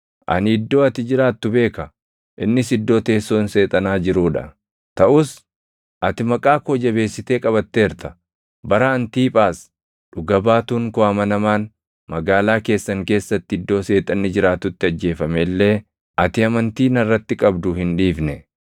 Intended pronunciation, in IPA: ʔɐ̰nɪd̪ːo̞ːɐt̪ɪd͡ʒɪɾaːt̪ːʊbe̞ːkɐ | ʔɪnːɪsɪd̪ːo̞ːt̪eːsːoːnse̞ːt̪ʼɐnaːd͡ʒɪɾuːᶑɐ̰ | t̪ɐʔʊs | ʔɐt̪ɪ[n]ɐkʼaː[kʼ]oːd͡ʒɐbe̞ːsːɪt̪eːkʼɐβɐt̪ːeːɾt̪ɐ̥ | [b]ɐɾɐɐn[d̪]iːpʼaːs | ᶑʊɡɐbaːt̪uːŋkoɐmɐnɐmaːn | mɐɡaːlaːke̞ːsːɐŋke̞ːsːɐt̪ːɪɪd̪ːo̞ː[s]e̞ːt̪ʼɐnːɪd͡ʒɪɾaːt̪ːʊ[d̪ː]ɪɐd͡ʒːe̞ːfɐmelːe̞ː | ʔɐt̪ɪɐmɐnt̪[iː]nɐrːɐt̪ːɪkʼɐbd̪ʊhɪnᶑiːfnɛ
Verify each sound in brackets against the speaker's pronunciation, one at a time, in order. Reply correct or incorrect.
incorrect, incorrect, correct, incorrect, correct, incorrect, correct

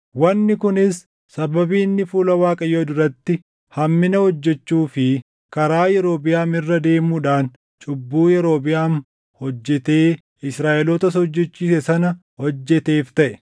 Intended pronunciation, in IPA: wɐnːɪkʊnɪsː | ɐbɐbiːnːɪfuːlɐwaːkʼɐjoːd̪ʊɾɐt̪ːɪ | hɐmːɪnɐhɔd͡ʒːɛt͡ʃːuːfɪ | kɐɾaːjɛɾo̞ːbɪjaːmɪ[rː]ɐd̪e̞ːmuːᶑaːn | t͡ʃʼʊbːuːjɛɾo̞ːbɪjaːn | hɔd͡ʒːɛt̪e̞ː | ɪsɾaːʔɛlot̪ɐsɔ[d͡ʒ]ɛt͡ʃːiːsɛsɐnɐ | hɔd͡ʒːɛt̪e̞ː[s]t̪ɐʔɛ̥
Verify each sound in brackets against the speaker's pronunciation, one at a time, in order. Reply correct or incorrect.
correct, incorrect, incorrect

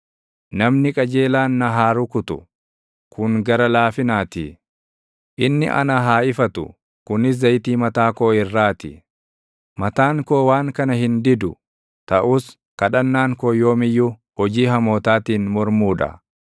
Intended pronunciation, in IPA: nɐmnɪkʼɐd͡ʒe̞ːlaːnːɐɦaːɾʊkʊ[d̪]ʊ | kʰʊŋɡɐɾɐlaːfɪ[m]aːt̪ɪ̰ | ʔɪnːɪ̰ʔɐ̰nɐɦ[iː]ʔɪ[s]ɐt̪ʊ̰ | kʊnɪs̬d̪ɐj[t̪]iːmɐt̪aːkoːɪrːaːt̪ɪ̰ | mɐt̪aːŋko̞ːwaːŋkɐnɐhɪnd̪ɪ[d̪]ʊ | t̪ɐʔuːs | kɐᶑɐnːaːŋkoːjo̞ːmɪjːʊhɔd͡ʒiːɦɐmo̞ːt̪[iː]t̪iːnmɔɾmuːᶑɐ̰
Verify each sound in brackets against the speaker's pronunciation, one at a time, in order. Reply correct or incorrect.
incorrect, incorrect, incorrect, incorrect, correct, correct, incorrect

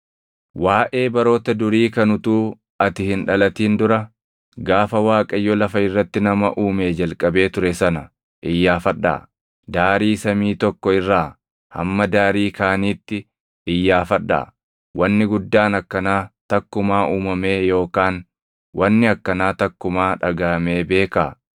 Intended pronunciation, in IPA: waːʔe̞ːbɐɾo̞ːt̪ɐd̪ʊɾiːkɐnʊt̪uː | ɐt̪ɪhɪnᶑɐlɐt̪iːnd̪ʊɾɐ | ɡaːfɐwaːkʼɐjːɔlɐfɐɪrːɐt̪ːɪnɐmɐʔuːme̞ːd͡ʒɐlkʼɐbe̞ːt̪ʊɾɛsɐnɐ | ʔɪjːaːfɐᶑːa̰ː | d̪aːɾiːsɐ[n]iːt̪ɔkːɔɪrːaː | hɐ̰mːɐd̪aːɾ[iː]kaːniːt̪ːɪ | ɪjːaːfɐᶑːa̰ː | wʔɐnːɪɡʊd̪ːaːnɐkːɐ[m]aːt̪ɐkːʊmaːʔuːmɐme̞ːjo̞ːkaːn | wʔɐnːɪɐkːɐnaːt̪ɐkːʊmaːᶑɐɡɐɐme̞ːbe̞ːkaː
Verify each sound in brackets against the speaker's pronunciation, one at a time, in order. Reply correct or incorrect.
incorrect, correct, incorrect

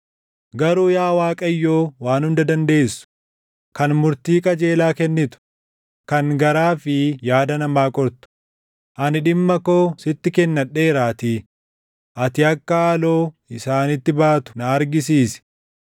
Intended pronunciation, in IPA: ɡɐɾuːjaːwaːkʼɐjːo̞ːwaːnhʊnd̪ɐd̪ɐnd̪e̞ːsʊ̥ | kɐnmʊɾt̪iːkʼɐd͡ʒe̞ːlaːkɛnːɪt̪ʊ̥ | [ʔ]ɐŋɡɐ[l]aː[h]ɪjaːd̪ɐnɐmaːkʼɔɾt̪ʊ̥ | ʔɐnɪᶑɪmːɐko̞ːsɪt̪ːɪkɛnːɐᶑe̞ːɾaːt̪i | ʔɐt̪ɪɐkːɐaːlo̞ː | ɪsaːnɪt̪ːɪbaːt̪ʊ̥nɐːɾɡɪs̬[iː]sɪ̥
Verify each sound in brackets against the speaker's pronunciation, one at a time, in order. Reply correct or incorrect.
incorrect, incorrect, incorrect, correct

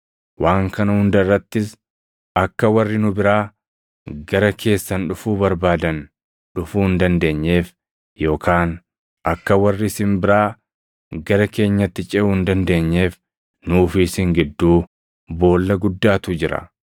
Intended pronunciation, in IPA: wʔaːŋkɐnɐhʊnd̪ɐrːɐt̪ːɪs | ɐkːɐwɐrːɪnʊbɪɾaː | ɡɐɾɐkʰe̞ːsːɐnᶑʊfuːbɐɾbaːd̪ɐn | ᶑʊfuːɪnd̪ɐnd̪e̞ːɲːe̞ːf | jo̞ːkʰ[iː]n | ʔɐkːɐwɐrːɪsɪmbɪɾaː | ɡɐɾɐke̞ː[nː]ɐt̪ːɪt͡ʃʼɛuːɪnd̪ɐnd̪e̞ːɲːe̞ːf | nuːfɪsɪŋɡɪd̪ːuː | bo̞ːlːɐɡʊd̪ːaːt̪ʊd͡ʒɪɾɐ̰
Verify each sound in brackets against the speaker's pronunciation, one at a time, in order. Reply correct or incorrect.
incorrect, incorrect

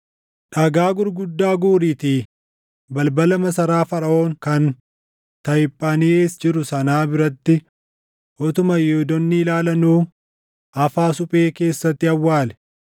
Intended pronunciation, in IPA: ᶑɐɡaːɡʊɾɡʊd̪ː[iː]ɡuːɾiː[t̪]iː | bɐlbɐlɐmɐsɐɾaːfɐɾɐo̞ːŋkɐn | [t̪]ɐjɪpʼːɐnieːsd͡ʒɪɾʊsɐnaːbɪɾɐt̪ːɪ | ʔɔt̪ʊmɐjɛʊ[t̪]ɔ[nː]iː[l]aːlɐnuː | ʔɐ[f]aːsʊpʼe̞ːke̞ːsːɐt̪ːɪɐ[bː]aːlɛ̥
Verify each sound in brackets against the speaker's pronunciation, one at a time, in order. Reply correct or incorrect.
incorrect, correct, correct, incorrect, correct, correct, correct, incorrect

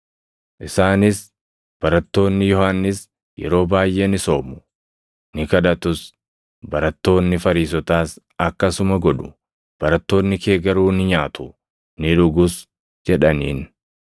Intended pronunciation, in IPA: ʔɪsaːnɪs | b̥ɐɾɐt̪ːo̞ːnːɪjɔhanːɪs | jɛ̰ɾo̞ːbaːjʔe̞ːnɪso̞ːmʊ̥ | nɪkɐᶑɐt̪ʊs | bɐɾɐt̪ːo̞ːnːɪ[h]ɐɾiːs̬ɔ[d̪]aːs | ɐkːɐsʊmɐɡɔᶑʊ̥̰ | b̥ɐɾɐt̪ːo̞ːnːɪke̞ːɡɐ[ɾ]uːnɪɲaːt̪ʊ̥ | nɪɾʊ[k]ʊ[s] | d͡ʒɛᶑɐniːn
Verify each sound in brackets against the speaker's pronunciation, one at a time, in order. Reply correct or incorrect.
incorrect, incorrect, correct, incorrect, correct

